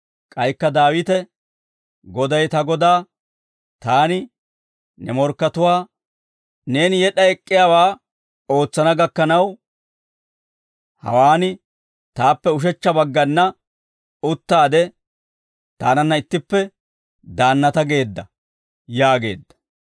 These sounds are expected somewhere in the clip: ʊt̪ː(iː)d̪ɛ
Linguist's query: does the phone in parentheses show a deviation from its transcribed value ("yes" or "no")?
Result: yes